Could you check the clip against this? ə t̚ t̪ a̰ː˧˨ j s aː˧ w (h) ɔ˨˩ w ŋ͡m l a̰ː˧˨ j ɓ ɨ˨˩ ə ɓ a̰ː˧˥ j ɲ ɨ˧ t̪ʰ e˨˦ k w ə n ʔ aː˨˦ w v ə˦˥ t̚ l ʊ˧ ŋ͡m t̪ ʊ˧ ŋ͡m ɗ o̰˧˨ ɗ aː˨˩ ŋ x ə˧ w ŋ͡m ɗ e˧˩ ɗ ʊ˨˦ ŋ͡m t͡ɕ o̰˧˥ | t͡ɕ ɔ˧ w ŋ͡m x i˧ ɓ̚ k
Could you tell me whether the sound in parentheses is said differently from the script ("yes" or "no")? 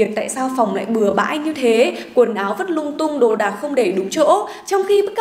yes